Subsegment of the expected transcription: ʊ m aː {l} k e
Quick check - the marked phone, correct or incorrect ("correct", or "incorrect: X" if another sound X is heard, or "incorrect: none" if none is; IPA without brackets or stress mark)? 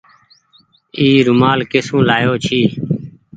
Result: correct